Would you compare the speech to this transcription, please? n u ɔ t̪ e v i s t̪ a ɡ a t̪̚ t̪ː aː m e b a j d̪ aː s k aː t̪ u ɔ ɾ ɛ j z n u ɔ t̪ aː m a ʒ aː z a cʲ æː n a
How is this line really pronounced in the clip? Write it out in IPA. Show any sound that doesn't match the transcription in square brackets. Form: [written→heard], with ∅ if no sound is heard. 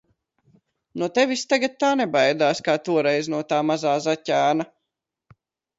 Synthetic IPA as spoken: n u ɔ t̪ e v i s t̪ a ɡ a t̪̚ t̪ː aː [m→n] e b a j d̪ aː s k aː t̪ u ɔ ɾ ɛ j z n u ɔ t̪ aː m a [ʒ→z] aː z a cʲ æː n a